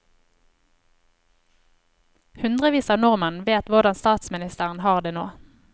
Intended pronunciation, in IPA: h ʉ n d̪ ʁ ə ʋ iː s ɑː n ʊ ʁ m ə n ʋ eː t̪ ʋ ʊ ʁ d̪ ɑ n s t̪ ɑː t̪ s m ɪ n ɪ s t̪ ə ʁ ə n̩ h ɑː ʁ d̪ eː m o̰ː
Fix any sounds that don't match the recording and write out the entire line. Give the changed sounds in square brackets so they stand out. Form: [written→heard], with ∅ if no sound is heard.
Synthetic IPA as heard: h ʉ n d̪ ʁ ə ʋ iː s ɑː n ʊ ʁ m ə n ʋ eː t̪ ʋ ʊ ʁ d̪ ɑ n s t̪ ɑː t̪ s m ɪ n ɪ s t̪ ə ʁ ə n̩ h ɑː ʁ d̪ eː [m→n] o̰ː

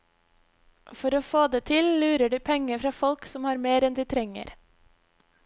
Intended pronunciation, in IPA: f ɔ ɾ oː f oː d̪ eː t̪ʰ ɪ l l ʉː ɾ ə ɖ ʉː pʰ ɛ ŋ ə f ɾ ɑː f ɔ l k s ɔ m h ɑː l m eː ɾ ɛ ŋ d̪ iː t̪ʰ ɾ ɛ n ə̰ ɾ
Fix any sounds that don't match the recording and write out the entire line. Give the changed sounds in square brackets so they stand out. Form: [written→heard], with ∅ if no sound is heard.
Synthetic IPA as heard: f ɔ ɾ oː f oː d̪ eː t̪ʰ ɪ l l ʉː ɾ ə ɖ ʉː pʰ ɛ ŋ ə f ɾ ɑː f ɔ l k s ɔ m h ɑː [l→ɾ] m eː ɾ ɛ [ŋ→n] d̪ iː t̪ʰ ɾ ɛ [n→ŋ] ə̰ ɾ

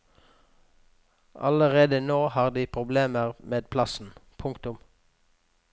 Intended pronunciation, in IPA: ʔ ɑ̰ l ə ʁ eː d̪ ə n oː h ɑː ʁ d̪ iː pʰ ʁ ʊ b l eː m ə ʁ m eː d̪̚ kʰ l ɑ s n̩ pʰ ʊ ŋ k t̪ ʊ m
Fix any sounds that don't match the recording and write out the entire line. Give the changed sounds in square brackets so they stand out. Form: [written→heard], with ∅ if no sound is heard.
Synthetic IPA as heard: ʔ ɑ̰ l ə ʁ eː d̪ ə n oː h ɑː ʁ d̪ iː pʰ ʁ ʊ b l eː m ə ʁ m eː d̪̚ [kʰ→pʰ] l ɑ s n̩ pʰ ʊ ŋ k t̪ ʊ m

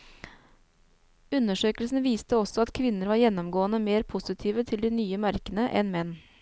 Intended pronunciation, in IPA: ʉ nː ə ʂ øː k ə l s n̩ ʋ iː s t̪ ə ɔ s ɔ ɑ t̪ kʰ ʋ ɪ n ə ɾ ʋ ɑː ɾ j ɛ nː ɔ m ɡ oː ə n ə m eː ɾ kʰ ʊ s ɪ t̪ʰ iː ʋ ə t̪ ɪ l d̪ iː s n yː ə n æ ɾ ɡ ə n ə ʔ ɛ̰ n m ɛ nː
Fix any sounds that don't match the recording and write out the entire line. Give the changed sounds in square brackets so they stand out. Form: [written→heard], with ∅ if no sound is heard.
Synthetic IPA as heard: ʉ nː ə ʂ øː k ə l s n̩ ʋ iː s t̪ ə ɔ s ɔ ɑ t̪ kʰ ʋ ɪ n ə ɾ ʋ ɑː ɾ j ɛ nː ɔ m ɡ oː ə n ə m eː ɾ [kʰ→pʰ] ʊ s ɪ t̪ʰ iː ʋ ə [t̪→t̪ʰ] ɪ l d̪ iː [s→∅] n yː ə [n→m] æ ɾ [ɡ→k] ə n ə ʔ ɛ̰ n m ɛ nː

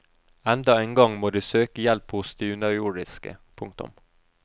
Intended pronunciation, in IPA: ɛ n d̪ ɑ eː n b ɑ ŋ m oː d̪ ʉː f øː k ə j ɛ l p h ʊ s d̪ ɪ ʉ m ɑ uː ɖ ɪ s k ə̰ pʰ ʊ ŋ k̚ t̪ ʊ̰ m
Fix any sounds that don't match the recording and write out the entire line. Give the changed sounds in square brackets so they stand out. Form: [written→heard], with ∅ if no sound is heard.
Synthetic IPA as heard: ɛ n d̪ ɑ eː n [b→ɡ] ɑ ŋ m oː d̪ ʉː [f→s] øː k ə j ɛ l p h ʊ s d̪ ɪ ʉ [m→n] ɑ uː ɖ ɪ s k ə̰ pʰ ʊ ŋ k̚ t̪ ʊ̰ m

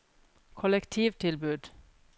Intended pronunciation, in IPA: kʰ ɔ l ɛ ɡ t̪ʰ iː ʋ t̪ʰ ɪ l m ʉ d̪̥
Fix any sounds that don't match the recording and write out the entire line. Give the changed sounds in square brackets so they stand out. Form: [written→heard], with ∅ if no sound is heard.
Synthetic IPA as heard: kʰ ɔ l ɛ [ɡ→k] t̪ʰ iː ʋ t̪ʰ ɪ l [m→b] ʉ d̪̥

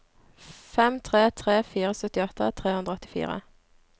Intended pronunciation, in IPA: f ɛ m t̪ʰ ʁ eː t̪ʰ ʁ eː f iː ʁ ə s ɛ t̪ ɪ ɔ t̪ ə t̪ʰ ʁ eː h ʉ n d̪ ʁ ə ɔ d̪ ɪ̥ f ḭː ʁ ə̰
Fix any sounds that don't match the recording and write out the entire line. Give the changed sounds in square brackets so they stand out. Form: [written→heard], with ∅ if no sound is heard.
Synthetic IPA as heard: f ɛ m t̪ʰ ʁ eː t̪ʰ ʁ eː f iː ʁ ə s [ɛ→œ] t̪ ɪ ɔ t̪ ə t̪ʰ ʁ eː h ʉ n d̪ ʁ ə ɔ [d̪→t̪] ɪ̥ f ḭː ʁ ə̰

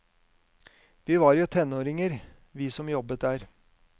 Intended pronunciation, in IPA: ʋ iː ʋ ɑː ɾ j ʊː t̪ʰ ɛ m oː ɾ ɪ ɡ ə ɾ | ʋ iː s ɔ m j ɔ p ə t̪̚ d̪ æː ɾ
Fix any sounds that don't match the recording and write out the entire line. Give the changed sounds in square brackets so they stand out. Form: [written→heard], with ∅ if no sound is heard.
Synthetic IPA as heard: ʋ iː ʋ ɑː ɾ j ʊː t̪ʰ ɛ [m→n] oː ɾ ɪ [ɡ→ŋ] ə ɾ | ʋ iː s ɔ m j ɔ [p→b] ə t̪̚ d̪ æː ɾ

